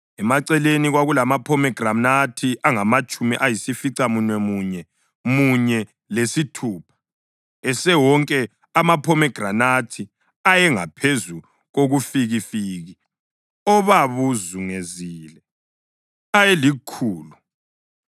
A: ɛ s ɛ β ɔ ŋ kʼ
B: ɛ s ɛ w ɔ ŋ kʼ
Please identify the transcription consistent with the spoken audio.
B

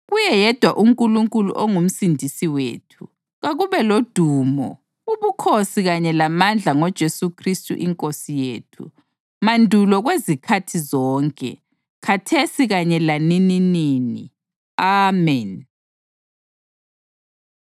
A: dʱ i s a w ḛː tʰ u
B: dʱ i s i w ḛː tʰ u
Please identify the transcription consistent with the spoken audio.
B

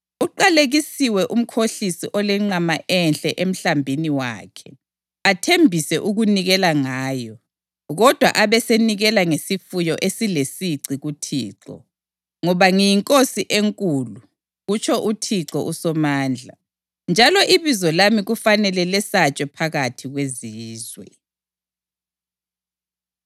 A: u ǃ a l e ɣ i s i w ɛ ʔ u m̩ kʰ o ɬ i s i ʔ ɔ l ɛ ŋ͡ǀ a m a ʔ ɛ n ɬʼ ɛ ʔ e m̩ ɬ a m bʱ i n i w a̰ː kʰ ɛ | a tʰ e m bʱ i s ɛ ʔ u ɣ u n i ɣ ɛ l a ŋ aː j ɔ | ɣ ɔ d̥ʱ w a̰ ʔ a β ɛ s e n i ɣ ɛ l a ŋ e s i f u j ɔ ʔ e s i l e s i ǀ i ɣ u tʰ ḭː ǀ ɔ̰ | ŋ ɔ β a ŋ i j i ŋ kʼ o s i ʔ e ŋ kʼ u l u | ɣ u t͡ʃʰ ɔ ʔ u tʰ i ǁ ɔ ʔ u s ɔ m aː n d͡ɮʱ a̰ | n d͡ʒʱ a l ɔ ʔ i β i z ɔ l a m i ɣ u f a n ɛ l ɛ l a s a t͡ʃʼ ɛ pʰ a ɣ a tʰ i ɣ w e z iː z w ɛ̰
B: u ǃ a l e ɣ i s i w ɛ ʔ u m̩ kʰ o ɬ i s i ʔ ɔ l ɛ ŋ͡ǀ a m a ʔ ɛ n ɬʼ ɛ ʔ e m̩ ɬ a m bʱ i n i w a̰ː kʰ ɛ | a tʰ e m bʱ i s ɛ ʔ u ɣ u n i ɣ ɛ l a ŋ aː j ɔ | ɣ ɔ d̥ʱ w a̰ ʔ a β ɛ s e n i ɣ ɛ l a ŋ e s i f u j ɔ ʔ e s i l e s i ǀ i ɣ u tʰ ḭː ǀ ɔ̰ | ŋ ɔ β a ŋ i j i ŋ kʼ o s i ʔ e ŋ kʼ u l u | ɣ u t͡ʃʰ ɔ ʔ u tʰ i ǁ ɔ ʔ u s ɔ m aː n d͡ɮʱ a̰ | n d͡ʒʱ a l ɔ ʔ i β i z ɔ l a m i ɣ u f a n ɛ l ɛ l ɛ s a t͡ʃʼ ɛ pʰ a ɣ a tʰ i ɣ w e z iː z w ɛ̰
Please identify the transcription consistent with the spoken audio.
B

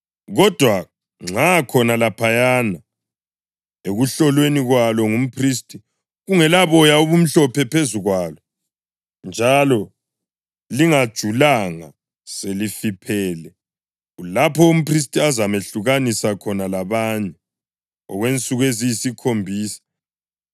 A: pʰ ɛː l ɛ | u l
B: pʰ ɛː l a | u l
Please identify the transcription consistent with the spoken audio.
A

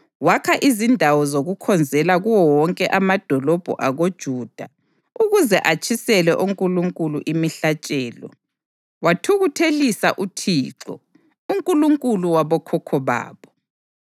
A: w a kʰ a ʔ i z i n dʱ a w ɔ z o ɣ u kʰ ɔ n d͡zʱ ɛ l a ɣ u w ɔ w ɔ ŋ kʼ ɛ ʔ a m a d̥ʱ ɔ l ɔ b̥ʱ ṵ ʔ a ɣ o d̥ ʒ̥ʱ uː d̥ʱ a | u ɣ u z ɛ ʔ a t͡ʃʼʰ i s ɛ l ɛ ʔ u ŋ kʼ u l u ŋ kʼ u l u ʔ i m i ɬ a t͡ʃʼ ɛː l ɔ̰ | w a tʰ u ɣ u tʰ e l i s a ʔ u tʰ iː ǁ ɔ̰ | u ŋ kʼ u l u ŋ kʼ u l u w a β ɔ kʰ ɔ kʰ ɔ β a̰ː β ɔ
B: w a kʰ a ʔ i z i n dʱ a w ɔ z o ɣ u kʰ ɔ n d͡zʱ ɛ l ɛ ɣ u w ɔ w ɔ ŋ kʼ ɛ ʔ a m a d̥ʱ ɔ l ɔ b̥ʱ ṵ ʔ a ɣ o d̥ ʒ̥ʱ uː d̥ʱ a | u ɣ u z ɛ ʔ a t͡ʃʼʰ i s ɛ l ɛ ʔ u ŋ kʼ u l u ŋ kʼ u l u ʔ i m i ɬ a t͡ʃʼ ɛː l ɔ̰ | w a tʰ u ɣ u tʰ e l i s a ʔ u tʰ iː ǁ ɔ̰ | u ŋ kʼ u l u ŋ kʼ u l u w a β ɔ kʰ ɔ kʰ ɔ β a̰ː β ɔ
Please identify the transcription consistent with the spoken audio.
A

